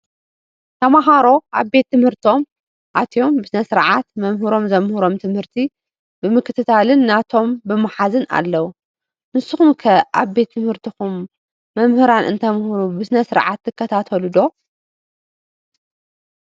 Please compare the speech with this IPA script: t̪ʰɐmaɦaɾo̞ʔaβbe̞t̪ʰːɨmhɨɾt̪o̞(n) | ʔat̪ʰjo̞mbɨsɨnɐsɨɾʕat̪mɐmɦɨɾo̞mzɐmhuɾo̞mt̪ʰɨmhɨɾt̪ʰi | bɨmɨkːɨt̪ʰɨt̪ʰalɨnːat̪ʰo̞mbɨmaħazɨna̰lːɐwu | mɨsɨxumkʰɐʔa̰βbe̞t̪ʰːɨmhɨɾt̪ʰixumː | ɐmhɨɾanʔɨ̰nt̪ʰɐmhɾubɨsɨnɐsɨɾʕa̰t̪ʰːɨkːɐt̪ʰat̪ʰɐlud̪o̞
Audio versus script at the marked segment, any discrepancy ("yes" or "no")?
yes